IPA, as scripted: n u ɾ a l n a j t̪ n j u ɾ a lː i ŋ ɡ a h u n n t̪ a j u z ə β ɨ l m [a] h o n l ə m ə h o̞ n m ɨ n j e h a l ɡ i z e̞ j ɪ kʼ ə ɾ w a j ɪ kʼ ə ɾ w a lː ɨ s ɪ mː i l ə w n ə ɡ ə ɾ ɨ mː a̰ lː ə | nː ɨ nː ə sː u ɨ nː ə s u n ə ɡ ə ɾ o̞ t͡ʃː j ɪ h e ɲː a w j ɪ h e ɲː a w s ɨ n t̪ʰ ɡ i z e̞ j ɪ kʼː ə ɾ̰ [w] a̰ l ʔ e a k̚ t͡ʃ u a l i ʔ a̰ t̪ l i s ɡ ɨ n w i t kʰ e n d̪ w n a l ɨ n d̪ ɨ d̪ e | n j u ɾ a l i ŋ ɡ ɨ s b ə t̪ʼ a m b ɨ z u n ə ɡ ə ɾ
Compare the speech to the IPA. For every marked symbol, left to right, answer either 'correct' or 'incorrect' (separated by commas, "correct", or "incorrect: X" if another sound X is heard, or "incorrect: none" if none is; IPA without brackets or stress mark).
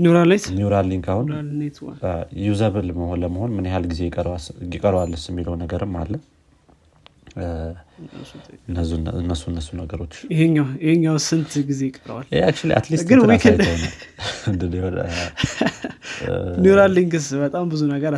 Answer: incorrect: ə, correct